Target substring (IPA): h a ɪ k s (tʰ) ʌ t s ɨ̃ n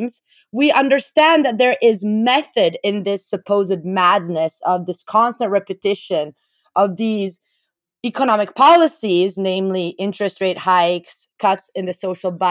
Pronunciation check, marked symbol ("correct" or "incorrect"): incorrect